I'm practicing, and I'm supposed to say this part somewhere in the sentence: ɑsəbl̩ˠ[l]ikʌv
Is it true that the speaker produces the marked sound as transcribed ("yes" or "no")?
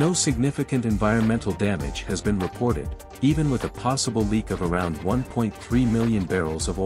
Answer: yes